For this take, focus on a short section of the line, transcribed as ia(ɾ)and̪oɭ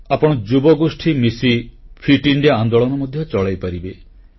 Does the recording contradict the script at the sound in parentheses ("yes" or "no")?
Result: yes